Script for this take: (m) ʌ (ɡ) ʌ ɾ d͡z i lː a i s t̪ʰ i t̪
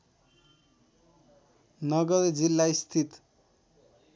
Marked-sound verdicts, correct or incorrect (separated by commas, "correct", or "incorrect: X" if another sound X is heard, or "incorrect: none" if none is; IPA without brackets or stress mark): incorrect: n, correct